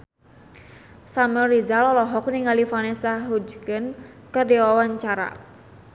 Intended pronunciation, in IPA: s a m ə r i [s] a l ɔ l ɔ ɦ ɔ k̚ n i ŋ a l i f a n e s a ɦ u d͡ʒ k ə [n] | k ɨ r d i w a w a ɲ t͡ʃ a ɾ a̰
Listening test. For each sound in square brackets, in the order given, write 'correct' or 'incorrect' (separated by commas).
incorrect, correct